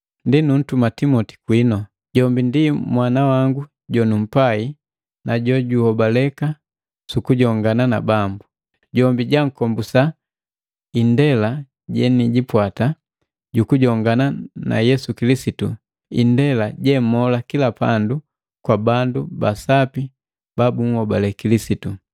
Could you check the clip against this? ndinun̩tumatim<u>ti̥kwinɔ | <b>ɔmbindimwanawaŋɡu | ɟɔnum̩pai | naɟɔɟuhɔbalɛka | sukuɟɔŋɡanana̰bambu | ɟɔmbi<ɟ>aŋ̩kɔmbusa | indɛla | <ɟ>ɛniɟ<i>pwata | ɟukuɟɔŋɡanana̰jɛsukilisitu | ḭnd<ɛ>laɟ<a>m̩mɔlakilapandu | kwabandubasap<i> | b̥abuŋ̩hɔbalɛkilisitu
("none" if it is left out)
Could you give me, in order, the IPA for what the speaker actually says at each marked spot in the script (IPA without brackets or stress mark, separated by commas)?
ɔ, ɟ, ɟ, ɟ, i, ɛ, ɛ, i